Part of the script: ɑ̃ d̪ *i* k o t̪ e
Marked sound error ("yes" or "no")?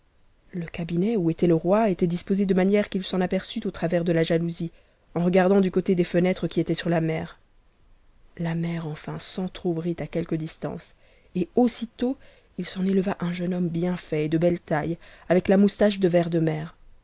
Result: yes